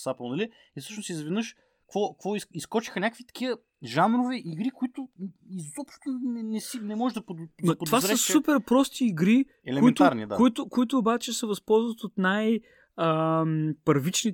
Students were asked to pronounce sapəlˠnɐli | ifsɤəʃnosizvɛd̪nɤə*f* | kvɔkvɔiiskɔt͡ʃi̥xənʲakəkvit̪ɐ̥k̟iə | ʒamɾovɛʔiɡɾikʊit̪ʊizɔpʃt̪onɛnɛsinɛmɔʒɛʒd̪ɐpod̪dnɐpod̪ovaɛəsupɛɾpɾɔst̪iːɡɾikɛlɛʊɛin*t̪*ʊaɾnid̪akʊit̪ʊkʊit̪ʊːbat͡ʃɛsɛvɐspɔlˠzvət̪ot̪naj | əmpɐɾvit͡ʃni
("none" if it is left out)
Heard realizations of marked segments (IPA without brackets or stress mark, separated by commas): ʃ, t̪